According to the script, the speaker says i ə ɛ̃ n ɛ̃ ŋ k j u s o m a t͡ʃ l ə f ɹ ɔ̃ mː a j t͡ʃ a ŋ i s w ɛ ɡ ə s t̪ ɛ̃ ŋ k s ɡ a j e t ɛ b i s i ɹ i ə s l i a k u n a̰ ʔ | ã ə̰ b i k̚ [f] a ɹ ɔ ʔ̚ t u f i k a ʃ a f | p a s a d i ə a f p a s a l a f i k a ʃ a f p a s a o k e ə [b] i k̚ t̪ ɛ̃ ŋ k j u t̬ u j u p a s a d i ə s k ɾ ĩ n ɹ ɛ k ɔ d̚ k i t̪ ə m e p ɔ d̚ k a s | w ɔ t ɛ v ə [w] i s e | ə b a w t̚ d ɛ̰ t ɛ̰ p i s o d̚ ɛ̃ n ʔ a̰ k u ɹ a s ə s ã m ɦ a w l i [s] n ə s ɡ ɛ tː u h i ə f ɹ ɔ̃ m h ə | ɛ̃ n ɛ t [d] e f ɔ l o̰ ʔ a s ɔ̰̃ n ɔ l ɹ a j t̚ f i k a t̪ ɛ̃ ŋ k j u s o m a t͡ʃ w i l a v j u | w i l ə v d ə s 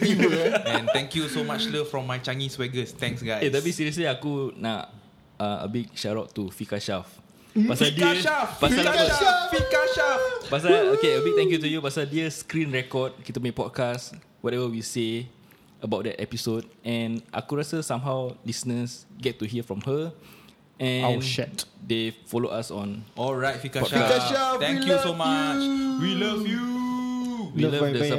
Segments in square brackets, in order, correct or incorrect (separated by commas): incorrect, correct, correct, correct, correct